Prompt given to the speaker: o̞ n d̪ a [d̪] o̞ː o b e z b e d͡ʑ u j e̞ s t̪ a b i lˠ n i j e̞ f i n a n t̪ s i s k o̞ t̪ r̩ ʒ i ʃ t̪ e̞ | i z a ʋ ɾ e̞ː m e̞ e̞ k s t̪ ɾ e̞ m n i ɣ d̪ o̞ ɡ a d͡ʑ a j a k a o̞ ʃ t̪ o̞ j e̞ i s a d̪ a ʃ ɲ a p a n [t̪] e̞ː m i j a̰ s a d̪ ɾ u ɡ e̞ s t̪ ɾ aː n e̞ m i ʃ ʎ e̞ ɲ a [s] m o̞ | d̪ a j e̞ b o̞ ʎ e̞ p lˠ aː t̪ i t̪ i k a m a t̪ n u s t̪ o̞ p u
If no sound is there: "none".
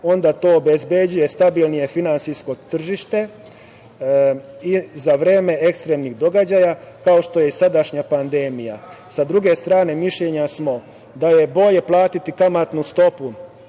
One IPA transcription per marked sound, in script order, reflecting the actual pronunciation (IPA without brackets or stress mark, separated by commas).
t̪, d̪, s